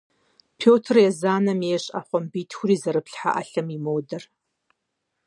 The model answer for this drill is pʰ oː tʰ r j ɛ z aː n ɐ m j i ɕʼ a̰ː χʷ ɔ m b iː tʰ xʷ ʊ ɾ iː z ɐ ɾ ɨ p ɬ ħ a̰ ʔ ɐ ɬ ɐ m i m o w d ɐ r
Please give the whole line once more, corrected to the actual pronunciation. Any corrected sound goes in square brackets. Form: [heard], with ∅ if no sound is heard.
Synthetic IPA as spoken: pʰ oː tʰ r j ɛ z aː n ɐ m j [e] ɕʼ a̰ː χʷ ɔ m b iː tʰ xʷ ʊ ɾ iː z ɐ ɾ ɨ p ɬ ħ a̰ ʔ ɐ ɬ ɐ m i m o w d ɐ r

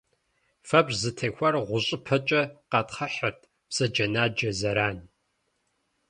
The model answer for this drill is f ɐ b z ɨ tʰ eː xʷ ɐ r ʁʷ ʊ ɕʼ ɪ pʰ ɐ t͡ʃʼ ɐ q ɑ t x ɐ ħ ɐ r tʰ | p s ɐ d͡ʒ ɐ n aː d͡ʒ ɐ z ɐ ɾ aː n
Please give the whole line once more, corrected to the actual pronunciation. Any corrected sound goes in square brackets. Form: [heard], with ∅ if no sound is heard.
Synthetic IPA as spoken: f ɐ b z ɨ tʰ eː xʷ ɐ r ʁʷ ʊ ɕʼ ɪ pʰ ɐ t͡ʃʼ ɐ q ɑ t [χ] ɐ ħ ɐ r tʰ | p s ɐ d͡ʒ ɐ n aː d͡ʒ ɐ z ɐ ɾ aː n

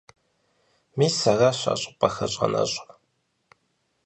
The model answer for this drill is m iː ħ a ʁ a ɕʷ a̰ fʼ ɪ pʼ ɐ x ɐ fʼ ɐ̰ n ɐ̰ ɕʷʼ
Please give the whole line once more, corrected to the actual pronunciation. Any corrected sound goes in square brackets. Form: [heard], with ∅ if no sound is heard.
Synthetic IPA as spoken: m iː [s] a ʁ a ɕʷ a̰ [ɕʼ] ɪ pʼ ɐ x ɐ [ɕʼ] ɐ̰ n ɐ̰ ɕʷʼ

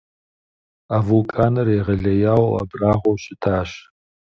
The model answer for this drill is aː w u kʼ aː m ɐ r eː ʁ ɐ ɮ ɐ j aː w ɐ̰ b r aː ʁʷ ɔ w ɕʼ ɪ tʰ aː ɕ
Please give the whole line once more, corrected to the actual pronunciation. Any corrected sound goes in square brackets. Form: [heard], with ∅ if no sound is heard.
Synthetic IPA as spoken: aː [v] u kʼ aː [n] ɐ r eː ʁ ɐ ɮ ɐ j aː w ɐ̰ b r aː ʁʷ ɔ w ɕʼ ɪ tʰ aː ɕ

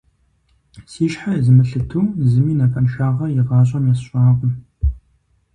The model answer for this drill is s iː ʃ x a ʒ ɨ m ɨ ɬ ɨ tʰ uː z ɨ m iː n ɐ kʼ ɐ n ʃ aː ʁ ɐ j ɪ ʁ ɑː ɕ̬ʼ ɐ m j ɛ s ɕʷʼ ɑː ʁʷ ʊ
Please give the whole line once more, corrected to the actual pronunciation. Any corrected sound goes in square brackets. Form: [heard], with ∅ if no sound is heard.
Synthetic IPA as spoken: s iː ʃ [ħ] a [z] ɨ m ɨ ɬ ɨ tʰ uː z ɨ m iː n ɐ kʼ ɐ n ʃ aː ʁ ɐ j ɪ ʁ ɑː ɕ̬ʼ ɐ m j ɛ s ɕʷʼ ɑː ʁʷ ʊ

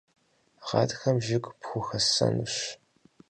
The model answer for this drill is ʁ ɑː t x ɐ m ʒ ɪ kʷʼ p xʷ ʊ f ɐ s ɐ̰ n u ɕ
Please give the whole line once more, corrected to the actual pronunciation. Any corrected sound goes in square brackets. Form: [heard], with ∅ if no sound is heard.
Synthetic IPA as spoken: ʁ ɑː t x ɐ m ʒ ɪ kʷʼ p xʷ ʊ [x] ɐ s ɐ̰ n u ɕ

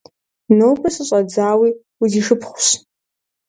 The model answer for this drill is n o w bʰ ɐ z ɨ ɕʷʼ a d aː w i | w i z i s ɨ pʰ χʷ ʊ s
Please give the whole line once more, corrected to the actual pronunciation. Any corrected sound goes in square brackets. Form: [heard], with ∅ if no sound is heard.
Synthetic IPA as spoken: n o w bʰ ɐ [s] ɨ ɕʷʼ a [d͡z] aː w i | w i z i [ʂ] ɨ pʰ χʷ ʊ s

